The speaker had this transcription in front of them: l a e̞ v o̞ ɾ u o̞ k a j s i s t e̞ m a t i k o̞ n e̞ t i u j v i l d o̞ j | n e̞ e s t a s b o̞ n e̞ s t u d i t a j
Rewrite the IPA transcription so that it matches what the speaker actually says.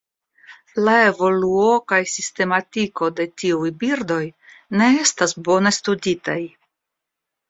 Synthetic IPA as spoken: l a e̞ v o̞ l u o̞ k a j s i s t e̞ m a t i k o̞ d e̞ t i u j b i ɾ d o̞ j | n e̞ e s t a s b o̞ n e̞ s t u d i t a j